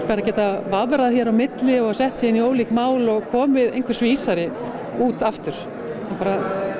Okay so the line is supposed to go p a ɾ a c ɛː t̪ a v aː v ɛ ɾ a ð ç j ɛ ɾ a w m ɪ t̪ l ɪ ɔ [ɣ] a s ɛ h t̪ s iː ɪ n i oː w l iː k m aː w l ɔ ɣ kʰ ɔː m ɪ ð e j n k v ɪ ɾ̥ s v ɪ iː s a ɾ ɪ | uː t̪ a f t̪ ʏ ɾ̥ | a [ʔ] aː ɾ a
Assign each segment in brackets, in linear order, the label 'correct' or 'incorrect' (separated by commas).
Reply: correct, incorrect